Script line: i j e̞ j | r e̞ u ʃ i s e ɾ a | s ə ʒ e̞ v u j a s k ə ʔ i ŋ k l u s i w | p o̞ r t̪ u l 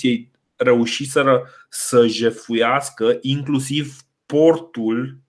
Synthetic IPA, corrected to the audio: i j e̞ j | r e̞ u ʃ i s e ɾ ə | s ə ʒ e̞ f u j a s k ə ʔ i ŋ k l u s i v | p o̞ r t̪ u l